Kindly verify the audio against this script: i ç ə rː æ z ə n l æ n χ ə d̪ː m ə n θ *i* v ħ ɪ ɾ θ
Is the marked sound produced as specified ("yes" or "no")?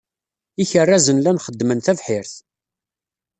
no